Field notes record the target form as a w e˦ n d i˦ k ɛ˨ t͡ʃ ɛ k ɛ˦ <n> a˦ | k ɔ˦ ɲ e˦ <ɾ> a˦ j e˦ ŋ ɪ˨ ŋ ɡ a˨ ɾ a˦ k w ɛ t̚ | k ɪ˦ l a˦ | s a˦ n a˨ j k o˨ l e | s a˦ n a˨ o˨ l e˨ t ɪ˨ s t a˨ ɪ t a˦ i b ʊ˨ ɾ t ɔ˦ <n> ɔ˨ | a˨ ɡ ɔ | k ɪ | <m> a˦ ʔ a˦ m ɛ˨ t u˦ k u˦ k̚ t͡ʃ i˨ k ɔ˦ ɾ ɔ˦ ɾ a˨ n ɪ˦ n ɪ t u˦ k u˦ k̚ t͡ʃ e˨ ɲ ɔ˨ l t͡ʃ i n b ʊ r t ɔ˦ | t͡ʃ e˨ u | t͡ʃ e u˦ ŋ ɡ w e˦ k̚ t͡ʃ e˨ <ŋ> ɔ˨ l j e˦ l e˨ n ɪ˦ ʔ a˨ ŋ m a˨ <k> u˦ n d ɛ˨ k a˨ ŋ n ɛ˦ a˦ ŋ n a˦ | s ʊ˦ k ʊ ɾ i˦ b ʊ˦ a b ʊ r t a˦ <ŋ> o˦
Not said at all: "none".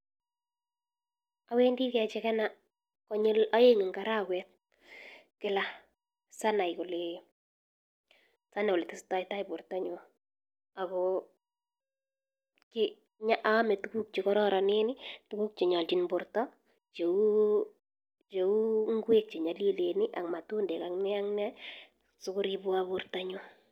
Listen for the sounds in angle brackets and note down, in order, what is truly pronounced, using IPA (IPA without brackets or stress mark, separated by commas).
n, l, ɲ, ɲ, ɲ, t, ɲ